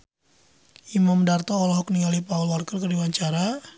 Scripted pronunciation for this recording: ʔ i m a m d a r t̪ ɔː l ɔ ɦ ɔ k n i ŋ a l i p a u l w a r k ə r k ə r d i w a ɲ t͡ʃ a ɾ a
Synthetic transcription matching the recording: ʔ i m a m d a r t̪ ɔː l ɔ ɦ ɔ k n i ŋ a l i p a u l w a r k ə r k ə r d i w a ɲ t͡ʃ a ɾ a